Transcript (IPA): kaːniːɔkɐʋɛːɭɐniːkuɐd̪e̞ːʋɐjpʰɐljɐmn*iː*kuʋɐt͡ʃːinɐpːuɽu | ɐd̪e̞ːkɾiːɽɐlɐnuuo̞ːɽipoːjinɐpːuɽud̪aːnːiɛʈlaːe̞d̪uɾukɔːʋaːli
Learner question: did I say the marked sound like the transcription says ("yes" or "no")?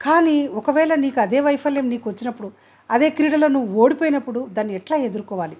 yes